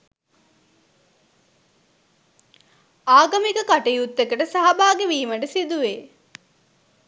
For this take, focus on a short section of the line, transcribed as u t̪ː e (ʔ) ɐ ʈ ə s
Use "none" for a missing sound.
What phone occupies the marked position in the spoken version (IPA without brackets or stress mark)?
k